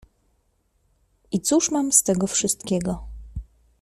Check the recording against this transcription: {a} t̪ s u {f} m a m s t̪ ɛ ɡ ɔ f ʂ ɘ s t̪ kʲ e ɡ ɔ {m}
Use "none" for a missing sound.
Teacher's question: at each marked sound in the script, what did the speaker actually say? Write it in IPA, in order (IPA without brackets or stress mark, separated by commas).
i, ʂ, none